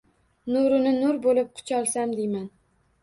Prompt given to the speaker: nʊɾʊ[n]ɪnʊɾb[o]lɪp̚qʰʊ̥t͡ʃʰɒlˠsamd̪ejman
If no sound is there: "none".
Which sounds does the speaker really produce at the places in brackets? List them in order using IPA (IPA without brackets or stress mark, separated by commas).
n, o